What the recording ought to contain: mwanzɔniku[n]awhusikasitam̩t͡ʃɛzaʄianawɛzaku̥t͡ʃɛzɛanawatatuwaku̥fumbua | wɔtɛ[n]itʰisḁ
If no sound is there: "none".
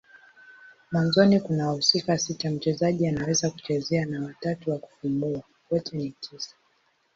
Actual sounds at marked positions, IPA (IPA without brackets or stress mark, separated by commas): n, n